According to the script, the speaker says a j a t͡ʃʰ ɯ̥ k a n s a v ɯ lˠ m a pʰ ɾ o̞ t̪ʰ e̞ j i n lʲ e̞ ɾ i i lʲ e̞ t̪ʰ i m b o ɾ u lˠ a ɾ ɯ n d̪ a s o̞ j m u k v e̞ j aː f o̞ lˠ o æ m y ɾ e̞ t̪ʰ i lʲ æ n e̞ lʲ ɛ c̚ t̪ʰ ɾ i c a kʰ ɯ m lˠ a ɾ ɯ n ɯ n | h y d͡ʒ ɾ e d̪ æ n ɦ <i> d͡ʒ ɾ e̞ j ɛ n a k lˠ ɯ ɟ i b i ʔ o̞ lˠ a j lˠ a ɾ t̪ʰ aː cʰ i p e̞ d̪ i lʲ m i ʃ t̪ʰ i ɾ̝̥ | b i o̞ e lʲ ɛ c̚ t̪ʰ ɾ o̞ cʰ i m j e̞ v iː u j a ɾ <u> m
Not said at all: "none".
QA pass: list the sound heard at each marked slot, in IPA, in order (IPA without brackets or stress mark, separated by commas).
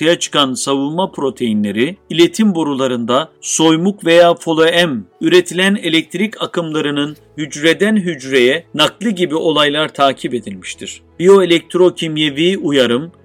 y, ɯ